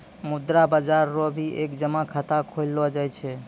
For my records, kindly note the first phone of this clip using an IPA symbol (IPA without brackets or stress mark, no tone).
m